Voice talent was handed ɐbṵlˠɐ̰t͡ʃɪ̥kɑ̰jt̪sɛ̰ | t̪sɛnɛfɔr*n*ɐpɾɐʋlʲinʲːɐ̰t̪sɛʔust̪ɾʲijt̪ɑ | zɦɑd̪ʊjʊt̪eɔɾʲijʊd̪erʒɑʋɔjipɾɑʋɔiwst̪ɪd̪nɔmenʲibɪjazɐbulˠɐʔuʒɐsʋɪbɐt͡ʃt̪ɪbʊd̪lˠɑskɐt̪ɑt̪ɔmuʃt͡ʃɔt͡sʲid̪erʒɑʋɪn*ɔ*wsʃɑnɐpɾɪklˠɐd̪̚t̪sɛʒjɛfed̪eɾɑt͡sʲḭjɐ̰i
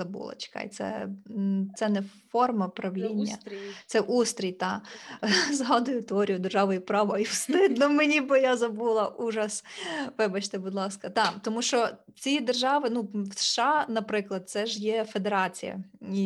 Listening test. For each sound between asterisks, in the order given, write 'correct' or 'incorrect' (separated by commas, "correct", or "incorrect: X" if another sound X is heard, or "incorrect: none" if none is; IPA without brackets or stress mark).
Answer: incorrect: m, incorrect: u